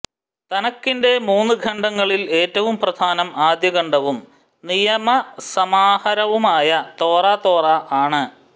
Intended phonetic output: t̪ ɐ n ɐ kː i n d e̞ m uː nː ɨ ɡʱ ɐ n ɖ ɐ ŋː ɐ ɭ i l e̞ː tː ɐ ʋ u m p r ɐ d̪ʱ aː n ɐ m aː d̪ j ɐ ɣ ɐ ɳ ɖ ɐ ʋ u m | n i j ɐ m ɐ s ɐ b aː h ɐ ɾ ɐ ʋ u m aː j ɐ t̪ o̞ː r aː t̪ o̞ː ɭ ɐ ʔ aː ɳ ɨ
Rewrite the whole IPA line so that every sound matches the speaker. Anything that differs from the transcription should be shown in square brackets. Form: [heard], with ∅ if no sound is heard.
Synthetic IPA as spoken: t̪ ɐ n ɐ kː i n d e̞ m uː nː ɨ ɡʱ ɐ [ɳ] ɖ ɐ ŋː ɐ ɭ i l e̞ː tː ɐ ʋ u m p r ɐ d̪ʱ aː n ɐ m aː d̪ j ɐ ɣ ɐ ɳ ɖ ɐ ʋ u m | n i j ɐ m ɐ s ɐ [m] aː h ɐ ɾ ɐ ʋ u m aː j ɐ t̪ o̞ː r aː t̪ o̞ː [r] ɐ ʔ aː ɳ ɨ